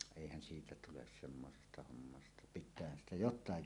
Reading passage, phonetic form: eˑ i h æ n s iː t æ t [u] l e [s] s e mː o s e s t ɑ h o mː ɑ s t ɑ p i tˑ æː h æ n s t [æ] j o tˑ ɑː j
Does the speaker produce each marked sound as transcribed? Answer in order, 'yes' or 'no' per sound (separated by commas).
yes, yes, yes